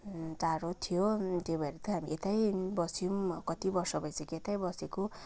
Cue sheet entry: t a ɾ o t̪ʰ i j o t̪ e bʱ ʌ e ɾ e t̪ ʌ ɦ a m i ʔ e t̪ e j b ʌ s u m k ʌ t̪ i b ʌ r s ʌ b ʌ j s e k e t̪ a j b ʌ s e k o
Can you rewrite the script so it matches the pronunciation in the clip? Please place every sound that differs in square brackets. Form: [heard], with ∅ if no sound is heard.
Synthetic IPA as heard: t a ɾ o t̪ʰ i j o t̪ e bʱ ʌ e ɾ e t̪ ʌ ɦ a m i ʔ e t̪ [a] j b ʌ s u m k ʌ t̪ i b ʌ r s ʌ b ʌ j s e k e t̪ a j b ʌ s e k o